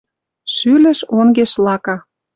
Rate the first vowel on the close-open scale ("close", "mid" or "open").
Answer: close